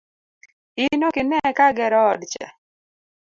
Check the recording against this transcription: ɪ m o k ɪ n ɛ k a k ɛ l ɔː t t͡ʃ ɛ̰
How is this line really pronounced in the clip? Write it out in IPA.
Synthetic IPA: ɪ n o k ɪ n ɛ k a ɡ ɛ ɾ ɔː d t͡ʃ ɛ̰